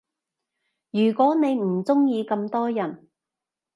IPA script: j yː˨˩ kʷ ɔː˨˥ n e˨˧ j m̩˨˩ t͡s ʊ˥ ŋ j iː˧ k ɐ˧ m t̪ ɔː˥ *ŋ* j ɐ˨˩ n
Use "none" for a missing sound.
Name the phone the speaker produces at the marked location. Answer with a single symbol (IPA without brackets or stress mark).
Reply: none